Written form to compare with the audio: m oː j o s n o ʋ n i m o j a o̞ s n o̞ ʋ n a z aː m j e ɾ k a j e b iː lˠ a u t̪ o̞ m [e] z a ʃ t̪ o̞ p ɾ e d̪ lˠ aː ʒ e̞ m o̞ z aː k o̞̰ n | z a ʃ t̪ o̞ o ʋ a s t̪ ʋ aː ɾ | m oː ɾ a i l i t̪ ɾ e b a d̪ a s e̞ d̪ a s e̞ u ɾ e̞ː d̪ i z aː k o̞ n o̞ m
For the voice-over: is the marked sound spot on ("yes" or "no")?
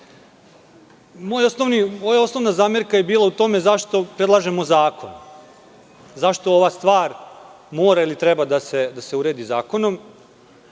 yes